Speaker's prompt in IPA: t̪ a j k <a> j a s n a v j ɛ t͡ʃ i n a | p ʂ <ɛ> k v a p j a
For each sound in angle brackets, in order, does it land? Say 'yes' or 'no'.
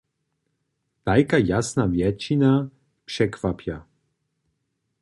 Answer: yes, yes

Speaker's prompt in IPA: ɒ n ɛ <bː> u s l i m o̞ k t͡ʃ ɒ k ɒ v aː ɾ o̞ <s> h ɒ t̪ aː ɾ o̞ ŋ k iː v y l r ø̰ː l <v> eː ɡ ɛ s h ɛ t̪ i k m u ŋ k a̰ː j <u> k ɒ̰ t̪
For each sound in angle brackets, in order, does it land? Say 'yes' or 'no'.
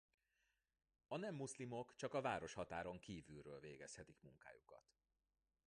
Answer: no, no, yes, yes

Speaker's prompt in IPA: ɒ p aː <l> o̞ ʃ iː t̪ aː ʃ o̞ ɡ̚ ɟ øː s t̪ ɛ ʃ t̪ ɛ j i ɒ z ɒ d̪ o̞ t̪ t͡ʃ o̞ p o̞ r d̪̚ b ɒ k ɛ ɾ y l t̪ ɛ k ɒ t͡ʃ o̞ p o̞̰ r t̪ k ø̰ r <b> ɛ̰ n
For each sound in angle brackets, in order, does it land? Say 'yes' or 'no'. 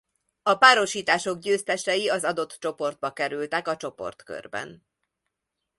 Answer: no, yes

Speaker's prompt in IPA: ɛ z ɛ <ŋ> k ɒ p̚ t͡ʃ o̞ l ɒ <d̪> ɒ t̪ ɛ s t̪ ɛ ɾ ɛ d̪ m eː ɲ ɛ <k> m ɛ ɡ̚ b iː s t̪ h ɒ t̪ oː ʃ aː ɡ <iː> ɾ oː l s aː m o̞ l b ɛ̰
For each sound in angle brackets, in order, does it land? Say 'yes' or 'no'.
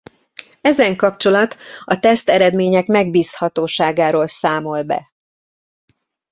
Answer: yes, no, yes, no

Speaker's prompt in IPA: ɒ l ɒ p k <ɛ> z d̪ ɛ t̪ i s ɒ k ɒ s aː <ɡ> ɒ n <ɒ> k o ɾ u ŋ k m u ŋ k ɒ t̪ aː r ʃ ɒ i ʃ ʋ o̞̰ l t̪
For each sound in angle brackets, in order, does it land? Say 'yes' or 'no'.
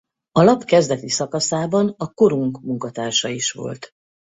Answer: yes, no, yes

